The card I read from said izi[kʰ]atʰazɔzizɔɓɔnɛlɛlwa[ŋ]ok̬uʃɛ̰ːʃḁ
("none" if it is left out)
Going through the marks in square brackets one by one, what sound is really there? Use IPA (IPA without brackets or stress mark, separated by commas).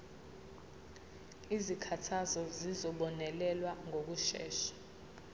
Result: kʰ, ŋ